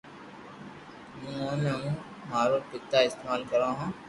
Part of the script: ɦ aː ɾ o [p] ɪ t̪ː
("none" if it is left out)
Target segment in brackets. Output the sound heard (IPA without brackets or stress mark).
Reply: p